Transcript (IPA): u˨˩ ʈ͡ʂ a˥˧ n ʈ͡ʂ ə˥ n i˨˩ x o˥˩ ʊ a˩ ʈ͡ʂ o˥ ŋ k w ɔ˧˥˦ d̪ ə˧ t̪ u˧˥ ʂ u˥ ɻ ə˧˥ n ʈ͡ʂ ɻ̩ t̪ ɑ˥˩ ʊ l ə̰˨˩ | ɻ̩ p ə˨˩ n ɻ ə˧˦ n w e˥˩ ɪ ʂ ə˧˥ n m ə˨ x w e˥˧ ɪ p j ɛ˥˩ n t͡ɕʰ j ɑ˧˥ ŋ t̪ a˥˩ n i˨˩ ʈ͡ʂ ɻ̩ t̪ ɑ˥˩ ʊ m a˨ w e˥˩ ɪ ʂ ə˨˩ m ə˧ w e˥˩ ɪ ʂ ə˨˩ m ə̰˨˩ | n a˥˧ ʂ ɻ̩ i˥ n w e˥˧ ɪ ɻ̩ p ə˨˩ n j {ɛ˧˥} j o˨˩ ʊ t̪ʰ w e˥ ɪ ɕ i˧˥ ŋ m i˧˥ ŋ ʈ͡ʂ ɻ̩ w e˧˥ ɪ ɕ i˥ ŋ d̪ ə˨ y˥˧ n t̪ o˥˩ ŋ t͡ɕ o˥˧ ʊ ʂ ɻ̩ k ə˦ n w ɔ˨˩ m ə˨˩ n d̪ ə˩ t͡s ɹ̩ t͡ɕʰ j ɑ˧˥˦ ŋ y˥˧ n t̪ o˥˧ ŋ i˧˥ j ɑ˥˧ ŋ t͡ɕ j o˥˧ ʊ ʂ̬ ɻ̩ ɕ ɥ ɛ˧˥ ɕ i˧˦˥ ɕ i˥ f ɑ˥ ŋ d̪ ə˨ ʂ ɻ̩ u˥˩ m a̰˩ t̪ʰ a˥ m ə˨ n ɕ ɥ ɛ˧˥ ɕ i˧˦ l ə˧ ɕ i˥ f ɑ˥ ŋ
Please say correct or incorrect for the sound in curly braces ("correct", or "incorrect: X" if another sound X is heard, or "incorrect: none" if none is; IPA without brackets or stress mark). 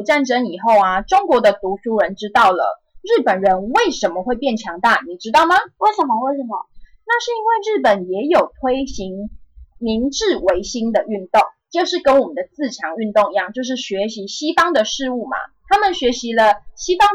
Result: correct